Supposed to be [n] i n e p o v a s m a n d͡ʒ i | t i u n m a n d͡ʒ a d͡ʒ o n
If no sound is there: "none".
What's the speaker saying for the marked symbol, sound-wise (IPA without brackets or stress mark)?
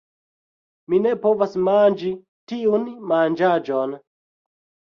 m